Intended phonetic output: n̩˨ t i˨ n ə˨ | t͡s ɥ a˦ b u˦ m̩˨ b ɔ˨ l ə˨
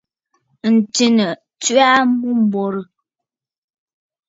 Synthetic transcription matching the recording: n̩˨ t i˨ n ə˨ | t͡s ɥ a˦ m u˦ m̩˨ b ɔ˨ ɾ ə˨

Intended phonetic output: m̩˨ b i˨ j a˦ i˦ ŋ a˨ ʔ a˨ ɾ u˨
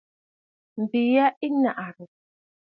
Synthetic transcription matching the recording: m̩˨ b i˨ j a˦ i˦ n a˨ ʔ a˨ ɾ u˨

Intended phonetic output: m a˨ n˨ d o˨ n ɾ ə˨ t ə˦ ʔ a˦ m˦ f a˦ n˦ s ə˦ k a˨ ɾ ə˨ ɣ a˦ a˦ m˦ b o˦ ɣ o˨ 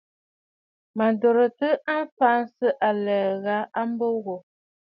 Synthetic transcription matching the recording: m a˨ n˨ d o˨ ɾ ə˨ t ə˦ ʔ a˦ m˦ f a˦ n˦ s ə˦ ʔ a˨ l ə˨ ɣ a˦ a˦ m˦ b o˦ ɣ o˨

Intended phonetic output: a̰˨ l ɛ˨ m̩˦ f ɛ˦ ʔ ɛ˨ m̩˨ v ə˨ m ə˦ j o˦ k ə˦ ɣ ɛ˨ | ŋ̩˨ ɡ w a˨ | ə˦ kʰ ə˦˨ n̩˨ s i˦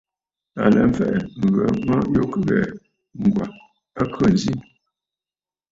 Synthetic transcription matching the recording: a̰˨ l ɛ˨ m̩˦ f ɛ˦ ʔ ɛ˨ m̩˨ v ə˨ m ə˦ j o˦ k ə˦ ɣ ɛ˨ | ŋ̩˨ ɡ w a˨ | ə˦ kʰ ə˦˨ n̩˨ z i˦

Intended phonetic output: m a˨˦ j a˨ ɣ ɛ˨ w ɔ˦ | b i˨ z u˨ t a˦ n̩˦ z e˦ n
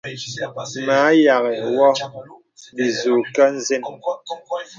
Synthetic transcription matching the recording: m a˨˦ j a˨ ɣ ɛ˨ w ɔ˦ | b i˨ z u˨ k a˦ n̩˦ z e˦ n

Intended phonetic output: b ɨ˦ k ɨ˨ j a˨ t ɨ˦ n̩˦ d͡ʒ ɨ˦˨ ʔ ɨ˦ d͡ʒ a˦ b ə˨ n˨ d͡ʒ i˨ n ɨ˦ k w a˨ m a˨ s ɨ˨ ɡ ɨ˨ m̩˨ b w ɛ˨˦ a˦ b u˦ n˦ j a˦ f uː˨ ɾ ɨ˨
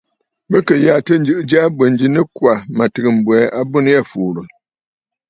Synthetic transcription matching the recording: b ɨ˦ k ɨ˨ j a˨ t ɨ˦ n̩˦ d͡ʒ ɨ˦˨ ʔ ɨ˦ d͡ʒ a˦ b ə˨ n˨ d͡ʒ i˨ n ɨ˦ k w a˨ m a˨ t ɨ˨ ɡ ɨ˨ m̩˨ b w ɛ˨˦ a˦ b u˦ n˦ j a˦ f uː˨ ɾ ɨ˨

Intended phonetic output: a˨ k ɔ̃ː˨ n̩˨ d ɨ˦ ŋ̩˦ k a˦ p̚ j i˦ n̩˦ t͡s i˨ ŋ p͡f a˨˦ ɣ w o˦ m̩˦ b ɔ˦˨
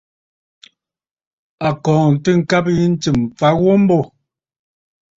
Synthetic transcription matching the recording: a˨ k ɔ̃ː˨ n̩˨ t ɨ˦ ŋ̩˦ k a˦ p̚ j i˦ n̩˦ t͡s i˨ m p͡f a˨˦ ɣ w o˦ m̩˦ b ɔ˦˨

